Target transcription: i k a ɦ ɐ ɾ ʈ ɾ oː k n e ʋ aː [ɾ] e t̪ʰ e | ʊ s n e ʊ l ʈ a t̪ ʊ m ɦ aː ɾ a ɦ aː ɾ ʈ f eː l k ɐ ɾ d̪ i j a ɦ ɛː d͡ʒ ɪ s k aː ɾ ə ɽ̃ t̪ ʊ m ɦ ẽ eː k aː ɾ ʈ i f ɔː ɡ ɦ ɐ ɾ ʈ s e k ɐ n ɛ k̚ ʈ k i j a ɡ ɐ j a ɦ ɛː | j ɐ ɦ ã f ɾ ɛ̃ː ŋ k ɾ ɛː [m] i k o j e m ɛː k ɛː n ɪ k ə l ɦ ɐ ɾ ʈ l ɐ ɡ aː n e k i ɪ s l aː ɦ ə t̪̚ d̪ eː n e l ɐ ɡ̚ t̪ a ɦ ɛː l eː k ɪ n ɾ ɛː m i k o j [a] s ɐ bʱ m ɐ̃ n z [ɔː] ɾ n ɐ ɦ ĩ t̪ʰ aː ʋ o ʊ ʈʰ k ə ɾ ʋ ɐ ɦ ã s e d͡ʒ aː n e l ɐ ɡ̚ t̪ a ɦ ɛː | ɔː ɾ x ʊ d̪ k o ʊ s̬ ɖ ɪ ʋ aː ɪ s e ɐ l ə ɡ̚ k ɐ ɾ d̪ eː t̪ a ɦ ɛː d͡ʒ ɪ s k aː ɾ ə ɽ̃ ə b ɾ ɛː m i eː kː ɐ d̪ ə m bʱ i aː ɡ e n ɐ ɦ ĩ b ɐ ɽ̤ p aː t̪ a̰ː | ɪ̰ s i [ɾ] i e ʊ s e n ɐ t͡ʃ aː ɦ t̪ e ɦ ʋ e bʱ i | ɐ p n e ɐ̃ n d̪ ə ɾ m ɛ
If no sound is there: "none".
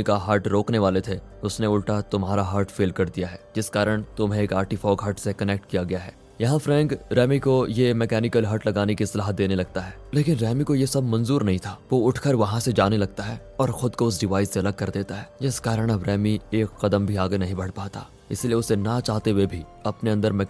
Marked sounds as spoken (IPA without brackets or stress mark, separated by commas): l, m, e, uː, l